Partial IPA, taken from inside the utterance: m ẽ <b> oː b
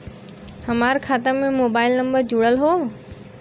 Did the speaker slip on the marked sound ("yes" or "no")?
yes